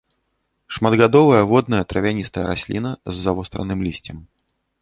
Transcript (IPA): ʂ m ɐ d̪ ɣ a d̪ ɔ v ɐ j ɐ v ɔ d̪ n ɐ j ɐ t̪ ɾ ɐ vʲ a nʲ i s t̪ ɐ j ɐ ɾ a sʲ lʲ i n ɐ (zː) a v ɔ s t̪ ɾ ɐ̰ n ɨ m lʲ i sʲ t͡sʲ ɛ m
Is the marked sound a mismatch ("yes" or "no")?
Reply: no